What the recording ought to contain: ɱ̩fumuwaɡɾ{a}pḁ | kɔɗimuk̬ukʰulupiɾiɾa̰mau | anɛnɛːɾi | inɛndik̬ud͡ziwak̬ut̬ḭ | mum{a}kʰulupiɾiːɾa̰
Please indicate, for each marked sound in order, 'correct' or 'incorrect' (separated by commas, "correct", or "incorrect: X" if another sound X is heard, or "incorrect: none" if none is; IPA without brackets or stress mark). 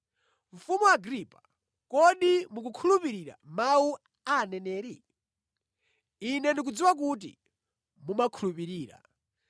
incorrect: i, correct